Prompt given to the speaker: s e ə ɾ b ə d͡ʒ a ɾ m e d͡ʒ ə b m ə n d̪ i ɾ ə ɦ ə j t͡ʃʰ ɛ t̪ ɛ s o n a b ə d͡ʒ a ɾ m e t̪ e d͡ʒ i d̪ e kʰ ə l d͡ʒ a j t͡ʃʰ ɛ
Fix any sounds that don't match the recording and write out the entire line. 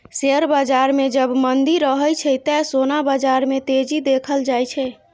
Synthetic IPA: s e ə ɾ b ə d͡ʒ a ɾ m e d͡ʒ ə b m ə n d̪ i ɾ ə ɦ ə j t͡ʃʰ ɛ t̪ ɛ s o n a b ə d͡ʒ a ɾ m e t̪ e d͡ʒ i d̪ e kʰ ə l d͡ʒ a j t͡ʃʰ ɛ